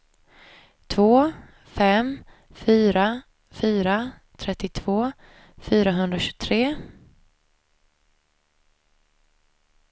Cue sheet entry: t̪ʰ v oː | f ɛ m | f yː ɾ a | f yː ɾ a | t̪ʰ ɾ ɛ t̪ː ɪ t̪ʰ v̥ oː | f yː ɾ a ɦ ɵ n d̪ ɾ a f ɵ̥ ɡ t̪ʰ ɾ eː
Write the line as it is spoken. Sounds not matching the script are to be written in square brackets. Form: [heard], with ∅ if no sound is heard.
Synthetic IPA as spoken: t̪ʰ v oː | f ɛ m | f yː ɾ a | f yː ɾ a | t̪ʰ ɾ ɛ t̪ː ɪ t̪ʰ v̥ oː | f yː ɾ a ɦ ɵ n d̪ ɾ a [ɕ] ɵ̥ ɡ t̪ʰ ɾ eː